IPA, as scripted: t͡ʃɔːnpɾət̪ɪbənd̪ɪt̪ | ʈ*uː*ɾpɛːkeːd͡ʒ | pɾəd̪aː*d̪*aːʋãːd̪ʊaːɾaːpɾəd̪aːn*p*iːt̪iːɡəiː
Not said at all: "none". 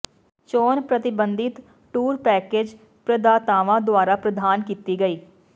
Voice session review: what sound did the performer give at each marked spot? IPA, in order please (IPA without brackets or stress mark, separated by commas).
uː, t̪, k